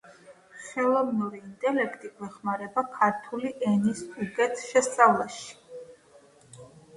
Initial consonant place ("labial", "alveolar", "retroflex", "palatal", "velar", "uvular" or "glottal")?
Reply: uvular